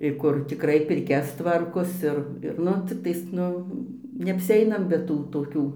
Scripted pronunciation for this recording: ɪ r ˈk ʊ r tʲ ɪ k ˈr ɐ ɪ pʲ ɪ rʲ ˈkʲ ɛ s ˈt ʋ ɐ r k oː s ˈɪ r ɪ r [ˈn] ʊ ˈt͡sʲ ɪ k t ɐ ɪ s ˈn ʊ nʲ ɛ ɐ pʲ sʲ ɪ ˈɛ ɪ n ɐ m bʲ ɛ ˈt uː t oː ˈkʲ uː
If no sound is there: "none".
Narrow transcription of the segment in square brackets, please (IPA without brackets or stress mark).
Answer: n